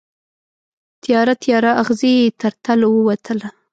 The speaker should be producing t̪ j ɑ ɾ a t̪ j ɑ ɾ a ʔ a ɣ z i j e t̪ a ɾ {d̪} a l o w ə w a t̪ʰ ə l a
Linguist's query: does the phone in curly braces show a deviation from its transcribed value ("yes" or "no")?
yes